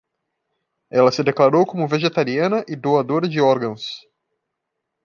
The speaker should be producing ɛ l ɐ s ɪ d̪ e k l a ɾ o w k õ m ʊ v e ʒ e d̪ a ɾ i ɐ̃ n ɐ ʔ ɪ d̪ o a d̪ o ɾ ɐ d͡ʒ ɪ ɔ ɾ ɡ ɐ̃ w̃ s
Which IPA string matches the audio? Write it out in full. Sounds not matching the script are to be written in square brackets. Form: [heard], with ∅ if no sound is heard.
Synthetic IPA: ɛ l ɐ s ɪ d̪ e k l a ɾ o w k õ m ʊ v e ʒ e [t̪] a ɾ i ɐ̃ n ɐ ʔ ɪ d̪ o a d̪ o ɾ ɐ d͡ʒ ɪ ɔ ɾ ɡ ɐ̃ w̃ s